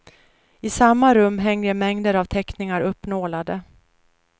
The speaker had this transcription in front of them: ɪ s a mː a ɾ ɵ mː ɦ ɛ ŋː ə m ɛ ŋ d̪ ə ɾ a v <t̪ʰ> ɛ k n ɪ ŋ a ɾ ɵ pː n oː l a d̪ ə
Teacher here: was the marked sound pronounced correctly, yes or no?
yes